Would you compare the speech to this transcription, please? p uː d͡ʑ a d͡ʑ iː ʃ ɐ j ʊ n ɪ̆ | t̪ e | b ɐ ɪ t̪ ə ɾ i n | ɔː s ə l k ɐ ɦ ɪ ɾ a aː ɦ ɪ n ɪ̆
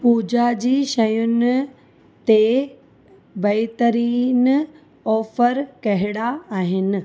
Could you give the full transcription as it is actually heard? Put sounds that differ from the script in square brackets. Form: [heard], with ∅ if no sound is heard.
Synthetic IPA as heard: p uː d͡ʑ a d͡ʑ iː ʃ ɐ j ʊ n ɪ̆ | t̪ e | b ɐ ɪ t̪ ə ɾ [iː] n | ɔː [f] ə [ɾ] k ɐ ɦ ɪ [ɽ] a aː ɦ ɪ n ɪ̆